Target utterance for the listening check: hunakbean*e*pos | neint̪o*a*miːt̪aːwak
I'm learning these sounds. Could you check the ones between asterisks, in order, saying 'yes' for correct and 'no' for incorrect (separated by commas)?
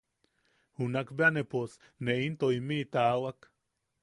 yes, no